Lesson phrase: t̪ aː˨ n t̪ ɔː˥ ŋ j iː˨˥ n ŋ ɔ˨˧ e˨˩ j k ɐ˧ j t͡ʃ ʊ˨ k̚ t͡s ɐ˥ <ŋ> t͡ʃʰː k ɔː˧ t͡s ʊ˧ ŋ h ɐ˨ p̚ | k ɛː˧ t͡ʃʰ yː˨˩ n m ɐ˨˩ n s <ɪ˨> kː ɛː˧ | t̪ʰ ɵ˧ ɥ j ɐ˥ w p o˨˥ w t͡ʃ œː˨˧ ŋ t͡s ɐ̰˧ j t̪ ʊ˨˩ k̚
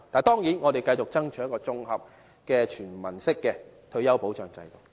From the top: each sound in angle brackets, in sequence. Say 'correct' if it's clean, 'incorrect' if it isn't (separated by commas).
correct, incorrect